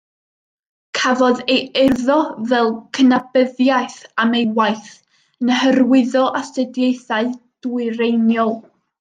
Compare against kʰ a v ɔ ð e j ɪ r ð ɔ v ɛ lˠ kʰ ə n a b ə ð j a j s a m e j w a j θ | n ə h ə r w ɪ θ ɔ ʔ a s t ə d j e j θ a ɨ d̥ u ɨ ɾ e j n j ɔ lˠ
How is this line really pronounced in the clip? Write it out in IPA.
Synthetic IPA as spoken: kʰ a v ɔ ð e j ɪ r ð ɔ v ɛ lˠ kʰ ə n a b ə ð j a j θ a m e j w a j θ | n ə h ə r w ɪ ð ɔ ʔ a s t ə d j e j θ a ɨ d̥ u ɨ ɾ e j n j ɔ lˠ